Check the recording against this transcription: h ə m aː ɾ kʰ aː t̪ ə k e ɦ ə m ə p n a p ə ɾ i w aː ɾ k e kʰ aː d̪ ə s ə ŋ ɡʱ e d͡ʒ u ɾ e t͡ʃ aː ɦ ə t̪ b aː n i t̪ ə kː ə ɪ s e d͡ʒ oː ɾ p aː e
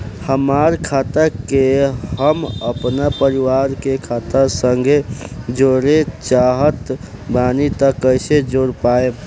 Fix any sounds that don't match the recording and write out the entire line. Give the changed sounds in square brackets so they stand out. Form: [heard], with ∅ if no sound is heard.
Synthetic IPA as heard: h ə m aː ɾ kʰ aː t̪ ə k e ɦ ə m ə p n a p ə ɾ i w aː ɾ k e kʰ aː [t̪] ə s ə ŋ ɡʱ e d͡ʒ [o] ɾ e t͡ʃ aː ɦ ə t̪ b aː n i t̪ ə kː ə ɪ s e d͡ʒ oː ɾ p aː e

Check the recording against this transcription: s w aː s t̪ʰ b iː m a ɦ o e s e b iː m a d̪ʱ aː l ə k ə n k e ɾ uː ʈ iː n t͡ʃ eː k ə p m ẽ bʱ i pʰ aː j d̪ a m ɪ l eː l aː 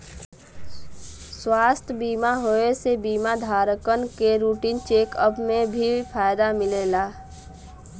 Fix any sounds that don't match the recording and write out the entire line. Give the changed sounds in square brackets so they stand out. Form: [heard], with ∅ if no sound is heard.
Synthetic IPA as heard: s w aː s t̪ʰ b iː m a ɦ o e s e b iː m a d̪ʱ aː [ɾ] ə k ə n k e ɾ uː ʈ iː n t͡ʃ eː k ə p m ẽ bʱ i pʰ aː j d̪ a m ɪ l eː l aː

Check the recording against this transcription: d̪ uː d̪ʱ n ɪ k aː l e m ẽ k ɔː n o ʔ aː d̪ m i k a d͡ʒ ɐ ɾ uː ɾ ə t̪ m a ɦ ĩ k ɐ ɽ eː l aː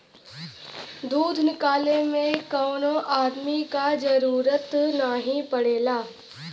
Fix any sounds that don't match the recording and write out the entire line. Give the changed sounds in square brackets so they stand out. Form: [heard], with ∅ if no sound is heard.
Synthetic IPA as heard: d̪ uː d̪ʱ n ɪ k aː l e m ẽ k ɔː n o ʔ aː d̪ m i k a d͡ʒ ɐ ɾ uː ɾ ə t̪ [n] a ɦ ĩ [p] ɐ ɽ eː l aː

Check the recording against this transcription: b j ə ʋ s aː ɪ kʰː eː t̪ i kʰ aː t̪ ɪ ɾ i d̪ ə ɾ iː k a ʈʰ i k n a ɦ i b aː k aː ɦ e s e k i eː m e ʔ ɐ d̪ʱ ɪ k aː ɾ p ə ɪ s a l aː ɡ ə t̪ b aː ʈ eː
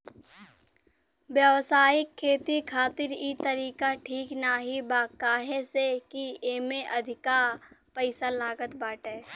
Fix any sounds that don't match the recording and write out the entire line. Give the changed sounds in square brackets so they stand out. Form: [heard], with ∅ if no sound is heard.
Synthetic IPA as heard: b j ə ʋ s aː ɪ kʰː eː t̪ i kʰ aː t̪ ɪ ɾ i [t̪] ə ɾ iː k a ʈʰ [iː] k n a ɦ i b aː k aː ɦ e s e k i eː m e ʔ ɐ d̪ʱ ɪ k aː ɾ p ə ɪ s a l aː ɡ ə t̪ b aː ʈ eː

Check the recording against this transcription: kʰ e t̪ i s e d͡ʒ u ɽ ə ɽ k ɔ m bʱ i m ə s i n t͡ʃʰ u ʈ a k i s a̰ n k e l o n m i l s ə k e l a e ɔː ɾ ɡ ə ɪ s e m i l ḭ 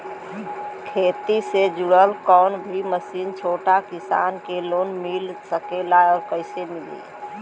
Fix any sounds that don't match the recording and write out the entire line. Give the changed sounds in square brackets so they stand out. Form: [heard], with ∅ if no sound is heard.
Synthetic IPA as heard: kʰ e t̪ i s e d͡ʒ u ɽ ə [l] k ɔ [n] bʱ i m ə s i n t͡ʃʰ [o] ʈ a k i s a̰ n k e l o n m i l s ə k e l a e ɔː ɾ [k] ə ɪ s e m i l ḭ

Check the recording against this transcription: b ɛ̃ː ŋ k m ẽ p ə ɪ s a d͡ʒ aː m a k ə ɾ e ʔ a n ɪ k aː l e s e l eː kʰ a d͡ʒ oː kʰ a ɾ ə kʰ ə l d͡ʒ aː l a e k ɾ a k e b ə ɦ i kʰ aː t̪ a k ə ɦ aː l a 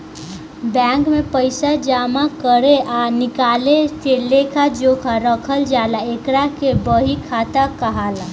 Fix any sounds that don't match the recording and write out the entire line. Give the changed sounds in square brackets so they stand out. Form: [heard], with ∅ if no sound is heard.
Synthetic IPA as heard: b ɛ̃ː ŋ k m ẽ p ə ɪ s a d͡ʒ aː m a k ə ɾ e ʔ a n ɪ k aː l e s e l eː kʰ a d͡ʒ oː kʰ a ɾ ə kʰ ə l d͡ʒ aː l a e k ɾ a k e b ə ɦ i kʰ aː t̪ a k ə ɦ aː l a

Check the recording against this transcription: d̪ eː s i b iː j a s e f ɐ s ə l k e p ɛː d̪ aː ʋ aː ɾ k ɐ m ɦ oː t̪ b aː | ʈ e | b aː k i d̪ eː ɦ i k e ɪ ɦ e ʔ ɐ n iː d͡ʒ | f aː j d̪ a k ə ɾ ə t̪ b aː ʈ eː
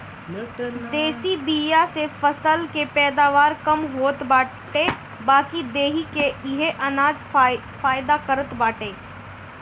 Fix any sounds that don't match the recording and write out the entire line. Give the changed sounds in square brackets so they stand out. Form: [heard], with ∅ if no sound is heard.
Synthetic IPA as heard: d̪ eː s i b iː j a s e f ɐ s ə l k e p ɛː d̪ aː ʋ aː ɾ k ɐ m ɦ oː t̪ b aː | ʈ e | b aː k i d̪ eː ɦ i k e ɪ ɦ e ʔ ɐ n [aː] d͡ʒ | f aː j d̪ a k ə ɾ ə t̪ b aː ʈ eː

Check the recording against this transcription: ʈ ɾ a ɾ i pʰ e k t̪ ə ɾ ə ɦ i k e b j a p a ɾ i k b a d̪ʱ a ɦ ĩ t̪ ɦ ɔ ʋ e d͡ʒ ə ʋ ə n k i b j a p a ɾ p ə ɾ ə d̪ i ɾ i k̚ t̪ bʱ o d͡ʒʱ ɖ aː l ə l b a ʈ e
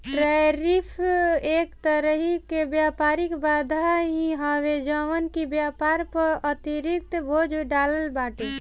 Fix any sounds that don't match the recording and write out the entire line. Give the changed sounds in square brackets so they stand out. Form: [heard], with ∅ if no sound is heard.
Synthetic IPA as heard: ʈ ɾ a ɾ i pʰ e k t̪ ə ɾ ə ɦ i k e b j a p a ɾ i k b a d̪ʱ a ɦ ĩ [∅] ɦ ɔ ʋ e d͡ʒ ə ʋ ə n k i b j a p a ɾ p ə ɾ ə [t̪] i ɾ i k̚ t̪ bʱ o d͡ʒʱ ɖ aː l ə l b a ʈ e

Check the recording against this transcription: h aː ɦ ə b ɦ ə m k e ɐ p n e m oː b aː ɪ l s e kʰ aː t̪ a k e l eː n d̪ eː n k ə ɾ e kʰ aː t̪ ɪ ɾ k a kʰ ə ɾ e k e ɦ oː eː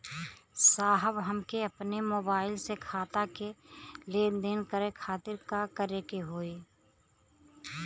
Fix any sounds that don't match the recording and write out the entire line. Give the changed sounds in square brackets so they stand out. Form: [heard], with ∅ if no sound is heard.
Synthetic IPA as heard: [s] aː ɦ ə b ɦ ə m k e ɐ p n e m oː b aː ɪ l s e kʰ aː t̪ a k e l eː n d̪ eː n k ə ɾ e kʰ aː t̪ ɪ ɾ k a [k] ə ɾ e k e ɦ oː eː

